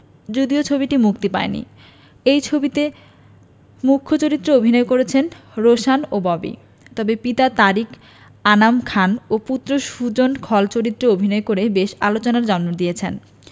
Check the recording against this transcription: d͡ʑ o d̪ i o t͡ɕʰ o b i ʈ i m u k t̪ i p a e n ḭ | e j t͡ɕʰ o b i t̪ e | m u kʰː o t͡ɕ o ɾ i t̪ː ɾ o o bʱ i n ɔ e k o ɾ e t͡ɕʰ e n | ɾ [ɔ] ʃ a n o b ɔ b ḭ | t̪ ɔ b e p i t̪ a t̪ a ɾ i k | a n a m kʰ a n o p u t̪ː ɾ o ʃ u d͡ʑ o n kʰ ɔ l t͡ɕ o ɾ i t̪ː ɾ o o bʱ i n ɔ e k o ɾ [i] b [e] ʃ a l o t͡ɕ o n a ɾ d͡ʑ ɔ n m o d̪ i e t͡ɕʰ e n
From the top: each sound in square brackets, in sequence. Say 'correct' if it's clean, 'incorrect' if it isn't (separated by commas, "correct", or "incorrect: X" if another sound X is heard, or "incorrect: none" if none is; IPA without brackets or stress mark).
incorrect: o, incorrect: e, correct